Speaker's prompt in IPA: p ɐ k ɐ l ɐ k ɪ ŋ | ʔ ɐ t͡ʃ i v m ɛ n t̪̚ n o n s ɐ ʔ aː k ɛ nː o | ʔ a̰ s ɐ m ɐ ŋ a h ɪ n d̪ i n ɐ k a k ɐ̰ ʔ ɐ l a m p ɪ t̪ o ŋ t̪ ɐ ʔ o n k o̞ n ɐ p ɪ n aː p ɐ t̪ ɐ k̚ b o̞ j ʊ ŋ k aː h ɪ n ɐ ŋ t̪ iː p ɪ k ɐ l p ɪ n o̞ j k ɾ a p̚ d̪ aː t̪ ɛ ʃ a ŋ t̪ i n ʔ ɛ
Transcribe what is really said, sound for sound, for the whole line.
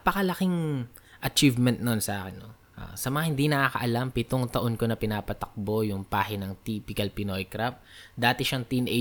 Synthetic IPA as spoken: p ɐ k ɐ l ɐ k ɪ ŋ | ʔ ɐ t͡ʃ i v m ɛ n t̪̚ n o n s ɐ ʔ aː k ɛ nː o | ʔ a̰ s ɐ m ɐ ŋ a h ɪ n d̪ i n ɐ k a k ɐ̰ ʔ ɐ l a m p ɪ t̪ o ŋ t̪ ɐ ʔ o n k o̞ n ɐ p ɪ n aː p ɐ t̪ ɐ k̚ b o̞ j ʊ ŋ p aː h ɪ n ɐ ŋ t̪ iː p ɪ k ɐ l p ɪ n o̞ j k ɾ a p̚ d̪ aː t̪ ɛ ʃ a ŋ t̪ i n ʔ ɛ